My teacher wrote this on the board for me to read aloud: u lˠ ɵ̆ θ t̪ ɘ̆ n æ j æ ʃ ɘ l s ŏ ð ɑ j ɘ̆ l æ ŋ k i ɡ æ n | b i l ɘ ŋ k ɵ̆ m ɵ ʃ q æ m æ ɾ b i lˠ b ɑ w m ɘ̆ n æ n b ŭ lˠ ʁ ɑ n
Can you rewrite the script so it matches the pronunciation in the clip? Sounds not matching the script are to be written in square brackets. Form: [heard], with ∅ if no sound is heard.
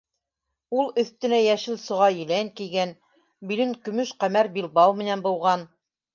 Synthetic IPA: u lˠ ɵ̆ θ t̪ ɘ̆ n æ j æ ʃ ɘ l s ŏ [ʁ] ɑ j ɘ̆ l æ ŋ k i ɡ æ n | b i l ɘ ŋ k ɵ̆ m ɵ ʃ q æ m æ ɾ b i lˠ b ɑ w m ɘ̆ n æ n b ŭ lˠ ʁ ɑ n